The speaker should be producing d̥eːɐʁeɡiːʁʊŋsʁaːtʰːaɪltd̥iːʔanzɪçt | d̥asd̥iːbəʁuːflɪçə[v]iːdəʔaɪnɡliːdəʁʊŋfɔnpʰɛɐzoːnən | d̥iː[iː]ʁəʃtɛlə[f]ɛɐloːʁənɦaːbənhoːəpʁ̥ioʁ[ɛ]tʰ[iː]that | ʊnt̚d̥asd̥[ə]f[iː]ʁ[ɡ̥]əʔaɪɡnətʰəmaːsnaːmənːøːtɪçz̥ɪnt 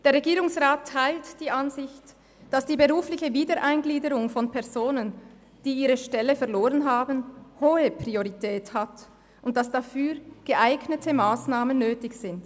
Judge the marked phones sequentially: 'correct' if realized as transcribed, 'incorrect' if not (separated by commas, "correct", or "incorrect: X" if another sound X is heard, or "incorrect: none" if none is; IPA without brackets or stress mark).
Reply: correct, correct, correct, incorrect: i, incorrect: ɛː, incorrect: a, incorrect: yː, correct